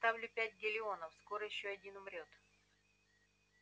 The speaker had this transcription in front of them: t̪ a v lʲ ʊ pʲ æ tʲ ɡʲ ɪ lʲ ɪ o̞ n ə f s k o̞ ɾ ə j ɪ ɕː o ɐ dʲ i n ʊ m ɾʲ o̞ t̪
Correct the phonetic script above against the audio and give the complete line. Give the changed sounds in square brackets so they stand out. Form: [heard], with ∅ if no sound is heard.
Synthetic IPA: t̪ a v lʲ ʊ pʲ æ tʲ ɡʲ ɪ lʲ ɪ o̞ n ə f s k o̞ ɾ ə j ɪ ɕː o ɐ dʲ i n ʊ m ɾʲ o̞ t̪